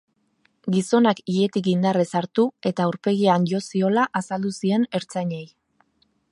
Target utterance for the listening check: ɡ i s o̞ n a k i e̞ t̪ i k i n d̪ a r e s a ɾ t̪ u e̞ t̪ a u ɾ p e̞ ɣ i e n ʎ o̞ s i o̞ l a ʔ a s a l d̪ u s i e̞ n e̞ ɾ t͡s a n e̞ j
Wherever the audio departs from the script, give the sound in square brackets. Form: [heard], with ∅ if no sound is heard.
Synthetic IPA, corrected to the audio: ɡ i s o̞ n a k i e̞ t̪ i k i n d̪ a r e s a ɾ t̪ u e̞ t̪ a u ɾ p e̞ ɣ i [a] n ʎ o̞ s i o̞ l a ʔ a s a l d̪ u s i e̞ n e̞ ɾ t͡s a [ɲ] e̞ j